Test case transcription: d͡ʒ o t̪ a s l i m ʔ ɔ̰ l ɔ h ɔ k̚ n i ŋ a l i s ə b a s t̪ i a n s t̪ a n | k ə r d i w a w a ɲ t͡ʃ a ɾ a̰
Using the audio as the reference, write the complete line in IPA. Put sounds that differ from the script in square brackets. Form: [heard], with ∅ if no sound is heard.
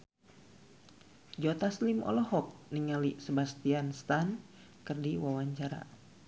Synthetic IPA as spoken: d͡ʒ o t̪ a s l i m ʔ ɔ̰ l ɔ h ɔ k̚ n i ŋ a l i s ə b a s t̪ i a n s t̪ a n | k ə r d i w a w a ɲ t͡ʃ a ɾ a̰